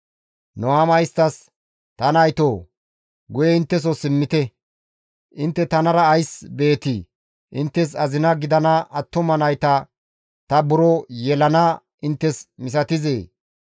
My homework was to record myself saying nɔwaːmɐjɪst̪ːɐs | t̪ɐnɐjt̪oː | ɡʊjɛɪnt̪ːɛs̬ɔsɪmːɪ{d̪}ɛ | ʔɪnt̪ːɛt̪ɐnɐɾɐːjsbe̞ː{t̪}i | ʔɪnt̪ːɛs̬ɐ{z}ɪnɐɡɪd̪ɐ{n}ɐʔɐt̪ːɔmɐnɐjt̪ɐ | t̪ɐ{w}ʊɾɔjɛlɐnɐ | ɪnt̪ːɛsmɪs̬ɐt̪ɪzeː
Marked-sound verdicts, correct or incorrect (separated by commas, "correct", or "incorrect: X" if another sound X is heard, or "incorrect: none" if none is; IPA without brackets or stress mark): incorrect: t̪, correct, correct, correct, incorrect: b